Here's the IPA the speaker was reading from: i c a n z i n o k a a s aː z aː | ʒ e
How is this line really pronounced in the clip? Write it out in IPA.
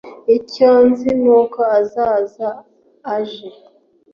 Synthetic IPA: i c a n z i n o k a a z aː z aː | ʒ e